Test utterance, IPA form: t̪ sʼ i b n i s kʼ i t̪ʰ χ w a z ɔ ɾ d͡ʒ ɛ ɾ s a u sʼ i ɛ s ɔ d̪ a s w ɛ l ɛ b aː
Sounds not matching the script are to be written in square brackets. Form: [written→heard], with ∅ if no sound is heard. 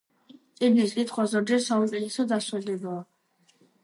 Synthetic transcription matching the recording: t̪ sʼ i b n i s kʼ i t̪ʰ χ w a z ɔ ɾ d͡ʒ ɛ ɾ s a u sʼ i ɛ s ɔ d̪ a s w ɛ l ɛ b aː